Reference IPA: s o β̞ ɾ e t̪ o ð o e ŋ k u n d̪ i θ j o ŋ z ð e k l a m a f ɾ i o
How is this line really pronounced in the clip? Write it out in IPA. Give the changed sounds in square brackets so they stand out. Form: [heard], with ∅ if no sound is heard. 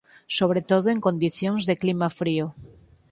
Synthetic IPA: s o β̞ ɾ e t̪ o ð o e ŋ k [o] n d̪ i θ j o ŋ z ð e k l [i] m a f ɾ i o